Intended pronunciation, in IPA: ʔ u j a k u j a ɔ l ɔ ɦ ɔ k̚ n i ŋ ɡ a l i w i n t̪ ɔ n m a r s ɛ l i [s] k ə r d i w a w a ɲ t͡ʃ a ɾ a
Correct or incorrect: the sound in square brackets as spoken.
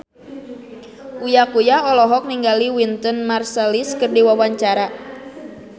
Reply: correct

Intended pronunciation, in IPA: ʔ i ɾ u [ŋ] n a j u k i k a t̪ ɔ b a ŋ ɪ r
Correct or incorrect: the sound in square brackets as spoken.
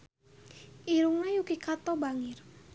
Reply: correct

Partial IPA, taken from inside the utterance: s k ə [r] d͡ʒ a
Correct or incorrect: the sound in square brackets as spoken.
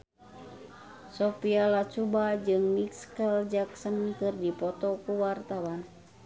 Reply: incorrect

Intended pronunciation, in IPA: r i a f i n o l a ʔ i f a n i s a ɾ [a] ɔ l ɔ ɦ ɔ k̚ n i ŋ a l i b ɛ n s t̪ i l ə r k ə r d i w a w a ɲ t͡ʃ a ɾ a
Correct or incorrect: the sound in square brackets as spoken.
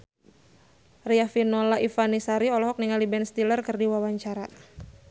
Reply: incorrect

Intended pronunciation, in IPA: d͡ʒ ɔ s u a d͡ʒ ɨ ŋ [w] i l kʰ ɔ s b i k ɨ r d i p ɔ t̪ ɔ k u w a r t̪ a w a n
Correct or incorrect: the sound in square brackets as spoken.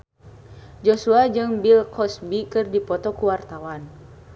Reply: incorrect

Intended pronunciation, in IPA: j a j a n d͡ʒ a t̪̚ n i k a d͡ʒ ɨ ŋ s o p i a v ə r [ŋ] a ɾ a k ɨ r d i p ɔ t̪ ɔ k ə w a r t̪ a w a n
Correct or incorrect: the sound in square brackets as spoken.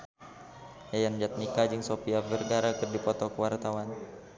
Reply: incorrect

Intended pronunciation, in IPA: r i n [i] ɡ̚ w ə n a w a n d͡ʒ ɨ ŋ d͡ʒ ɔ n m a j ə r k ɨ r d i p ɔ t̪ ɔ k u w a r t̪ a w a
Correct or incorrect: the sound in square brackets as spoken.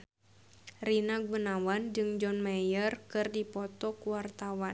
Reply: incorrect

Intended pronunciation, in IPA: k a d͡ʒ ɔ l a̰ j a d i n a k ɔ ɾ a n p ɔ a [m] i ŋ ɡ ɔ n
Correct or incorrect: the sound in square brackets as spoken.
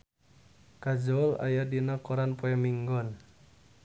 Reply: correct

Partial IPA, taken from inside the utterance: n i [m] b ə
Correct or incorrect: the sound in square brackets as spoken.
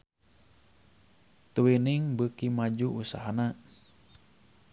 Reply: incorrect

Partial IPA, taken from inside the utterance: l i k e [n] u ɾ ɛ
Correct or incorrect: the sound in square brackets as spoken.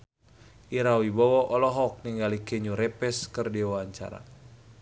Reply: incorrect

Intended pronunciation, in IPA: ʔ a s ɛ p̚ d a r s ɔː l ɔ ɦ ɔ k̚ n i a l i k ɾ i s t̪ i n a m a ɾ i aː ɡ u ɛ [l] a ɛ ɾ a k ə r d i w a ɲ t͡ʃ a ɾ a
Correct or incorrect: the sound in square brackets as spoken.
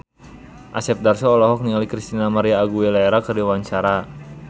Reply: correct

